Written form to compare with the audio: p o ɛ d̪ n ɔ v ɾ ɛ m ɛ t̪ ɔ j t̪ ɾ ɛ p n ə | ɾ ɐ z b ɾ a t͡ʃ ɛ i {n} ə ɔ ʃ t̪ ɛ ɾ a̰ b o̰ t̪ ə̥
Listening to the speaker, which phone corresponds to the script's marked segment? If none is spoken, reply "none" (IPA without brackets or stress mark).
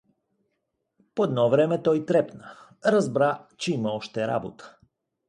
m